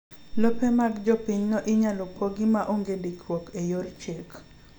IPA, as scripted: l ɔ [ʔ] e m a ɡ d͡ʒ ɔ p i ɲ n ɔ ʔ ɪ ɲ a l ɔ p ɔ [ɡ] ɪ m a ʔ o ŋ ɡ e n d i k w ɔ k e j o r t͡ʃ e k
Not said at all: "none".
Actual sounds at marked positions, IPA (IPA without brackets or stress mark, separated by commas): p, ɡ